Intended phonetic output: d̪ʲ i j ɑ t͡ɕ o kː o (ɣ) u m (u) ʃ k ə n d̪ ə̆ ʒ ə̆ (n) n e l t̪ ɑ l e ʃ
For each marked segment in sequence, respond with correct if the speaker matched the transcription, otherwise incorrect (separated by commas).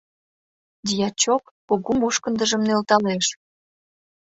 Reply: correct, correct, incorrect